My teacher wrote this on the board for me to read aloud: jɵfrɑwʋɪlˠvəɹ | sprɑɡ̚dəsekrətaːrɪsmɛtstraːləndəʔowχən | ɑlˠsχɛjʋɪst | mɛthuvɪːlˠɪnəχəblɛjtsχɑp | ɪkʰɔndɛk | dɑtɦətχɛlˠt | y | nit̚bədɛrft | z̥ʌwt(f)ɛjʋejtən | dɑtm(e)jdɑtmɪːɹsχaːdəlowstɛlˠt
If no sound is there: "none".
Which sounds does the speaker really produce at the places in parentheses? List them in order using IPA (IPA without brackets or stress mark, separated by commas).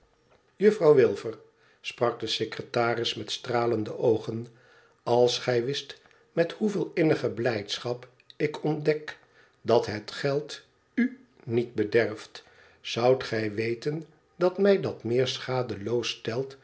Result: χ, ɛ